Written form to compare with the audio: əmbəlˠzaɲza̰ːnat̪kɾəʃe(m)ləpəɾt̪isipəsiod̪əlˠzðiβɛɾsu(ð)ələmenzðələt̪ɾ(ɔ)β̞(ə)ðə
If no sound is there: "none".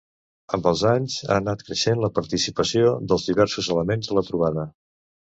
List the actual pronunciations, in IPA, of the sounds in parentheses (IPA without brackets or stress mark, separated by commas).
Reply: n, z, u, a